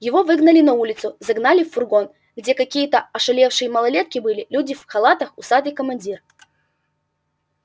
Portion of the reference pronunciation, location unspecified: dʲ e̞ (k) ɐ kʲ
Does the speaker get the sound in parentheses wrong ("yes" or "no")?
no